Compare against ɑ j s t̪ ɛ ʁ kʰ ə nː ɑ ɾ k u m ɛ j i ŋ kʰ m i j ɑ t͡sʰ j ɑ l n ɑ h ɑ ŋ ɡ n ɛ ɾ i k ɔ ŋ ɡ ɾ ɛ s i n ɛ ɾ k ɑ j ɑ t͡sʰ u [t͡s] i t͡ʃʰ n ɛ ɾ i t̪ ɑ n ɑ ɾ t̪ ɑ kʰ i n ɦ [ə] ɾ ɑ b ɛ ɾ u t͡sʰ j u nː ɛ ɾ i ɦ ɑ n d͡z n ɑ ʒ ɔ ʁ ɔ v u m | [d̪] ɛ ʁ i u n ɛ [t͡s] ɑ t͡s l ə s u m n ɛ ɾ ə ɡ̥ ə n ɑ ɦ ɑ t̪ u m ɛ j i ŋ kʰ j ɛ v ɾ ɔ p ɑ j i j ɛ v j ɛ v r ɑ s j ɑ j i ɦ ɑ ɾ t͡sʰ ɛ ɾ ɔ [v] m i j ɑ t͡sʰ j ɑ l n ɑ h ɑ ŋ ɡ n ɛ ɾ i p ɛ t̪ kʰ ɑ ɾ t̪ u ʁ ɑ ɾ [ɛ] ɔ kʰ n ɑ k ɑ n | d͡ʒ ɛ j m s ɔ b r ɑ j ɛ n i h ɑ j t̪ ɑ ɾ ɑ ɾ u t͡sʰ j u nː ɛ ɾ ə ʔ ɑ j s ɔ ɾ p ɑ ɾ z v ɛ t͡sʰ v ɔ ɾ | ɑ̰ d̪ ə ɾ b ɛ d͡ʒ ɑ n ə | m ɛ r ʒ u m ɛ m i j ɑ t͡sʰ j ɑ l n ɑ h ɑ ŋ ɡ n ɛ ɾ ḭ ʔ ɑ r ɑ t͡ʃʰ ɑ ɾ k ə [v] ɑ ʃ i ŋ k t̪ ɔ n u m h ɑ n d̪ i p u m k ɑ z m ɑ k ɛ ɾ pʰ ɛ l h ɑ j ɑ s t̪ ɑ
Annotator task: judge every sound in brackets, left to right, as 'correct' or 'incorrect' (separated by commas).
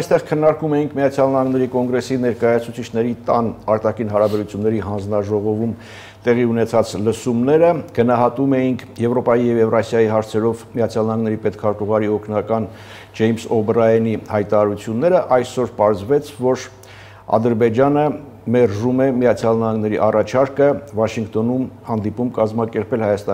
incorrect, incorrect, incorrect, incorrect, correct, incorrect, correct